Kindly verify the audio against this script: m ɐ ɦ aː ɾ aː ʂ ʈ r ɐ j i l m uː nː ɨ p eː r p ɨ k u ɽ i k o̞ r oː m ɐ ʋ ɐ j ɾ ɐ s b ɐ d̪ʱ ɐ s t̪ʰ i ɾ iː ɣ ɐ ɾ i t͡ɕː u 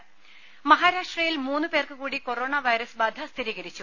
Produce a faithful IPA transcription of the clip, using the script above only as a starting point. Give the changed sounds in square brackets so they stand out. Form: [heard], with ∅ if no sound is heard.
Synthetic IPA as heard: m ɐ ɦ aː ɾ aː ʂ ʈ r ɐ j i l m uː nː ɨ p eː r [k] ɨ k [uː] ɽ i k o̞ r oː [ɳ] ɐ ʋ ɐ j ɾ ɐ s b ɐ d̪ʱ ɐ s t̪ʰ i ɾ iː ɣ ɐ ɾ i t͡ɕː u

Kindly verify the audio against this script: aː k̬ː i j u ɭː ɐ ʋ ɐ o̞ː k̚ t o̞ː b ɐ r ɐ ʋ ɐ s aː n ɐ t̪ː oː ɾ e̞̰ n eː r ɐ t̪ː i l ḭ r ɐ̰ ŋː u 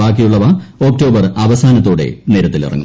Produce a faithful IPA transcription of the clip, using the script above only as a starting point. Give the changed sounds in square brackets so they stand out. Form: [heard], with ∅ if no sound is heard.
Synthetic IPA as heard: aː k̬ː i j u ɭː ɐ ʋ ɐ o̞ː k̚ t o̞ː b ɐ r ɐ ʋ ɐ s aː n ɐ t̪ː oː [ɽ] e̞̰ n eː [ɾ] ɐ t̪ː i l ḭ r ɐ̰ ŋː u

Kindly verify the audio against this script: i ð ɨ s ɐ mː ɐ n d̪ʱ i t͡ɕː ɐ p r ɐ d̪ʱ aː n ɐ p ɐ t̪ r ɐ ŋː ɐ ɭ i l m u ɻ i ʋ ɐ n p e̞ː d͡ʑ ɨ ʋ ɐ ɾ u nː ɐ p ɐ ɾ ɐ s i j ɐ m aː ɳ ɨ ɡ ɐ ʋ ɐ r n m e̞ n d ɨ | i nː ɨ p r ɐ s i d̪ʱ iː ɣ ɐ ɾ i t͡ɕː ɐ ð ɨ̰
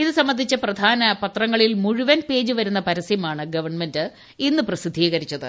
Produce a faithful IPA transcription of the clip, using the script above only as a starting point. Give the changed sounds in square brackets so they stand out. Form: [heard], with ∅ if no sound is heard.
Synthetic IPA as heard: i ð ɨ s ɐ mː ɐ n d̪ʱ i t͡ɕː ɐ p r ɐ d̪ʱ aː n ɐ p ɐ t̪ r ɐ ŋː ɐ ɭ i l m u ɻ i ʋ ɐ n p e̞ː d͡ʑ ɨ ʋ ɐ ɾ u nː ɐ p ɐ ɾ ɐ s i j ɐ m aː ɳ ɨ ɡ ɐ ʋ ɐ r [ɳ] m e̞ n d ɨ | i nː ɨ p r ɐ s i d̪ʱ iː ɣ ɐ ɾ i t͡ɕː ɐ ð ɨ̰

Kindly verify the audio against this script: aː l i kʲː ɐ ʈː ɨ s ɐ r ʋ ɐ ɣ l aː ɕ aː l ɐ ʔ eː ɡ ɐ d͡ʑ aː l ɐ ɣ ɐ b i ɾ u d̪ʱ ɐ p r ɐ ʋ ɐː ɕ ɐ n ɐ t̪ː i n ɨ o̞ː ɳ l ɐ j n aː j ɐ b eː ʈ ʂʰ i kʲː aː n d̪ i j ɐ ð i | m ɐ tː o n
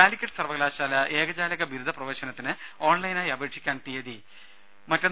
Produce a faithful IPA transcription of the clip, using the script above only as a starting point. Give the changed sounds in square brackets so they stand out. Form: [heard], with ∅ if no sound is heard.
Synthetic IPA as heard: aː l i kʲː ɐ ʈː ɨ s ɐ r ʋ ɐ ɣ l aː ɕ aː l ɐ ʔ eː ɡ ɐ d͡ʑ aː l ɐ ɣ ɐ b i ɾ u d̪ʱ ɐ p r ɐ ʋ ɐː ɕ ɐ n ɐ t̪ː i n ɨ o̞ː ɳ l ɐ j n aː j ɐ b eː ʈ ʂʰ i kʲː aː n [t̪] i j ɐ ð i | m ɐ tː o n

